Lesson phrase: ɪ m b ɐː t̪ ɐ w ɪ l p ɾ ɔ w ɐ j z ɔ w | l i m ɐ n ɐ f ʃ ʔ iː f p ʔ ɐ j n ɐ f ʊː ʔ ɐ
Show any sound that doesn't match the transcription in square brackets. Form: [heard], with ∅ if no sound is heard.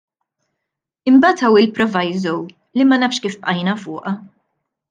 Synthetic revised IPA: ɪ m b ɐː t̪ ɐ w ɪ l p ɾ ɔ [v] ɐ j z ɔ w | l i m ɐ n ɐ f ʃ [k] iː f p ʔ ɐ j n ɐ f ʊː ʔ ɐ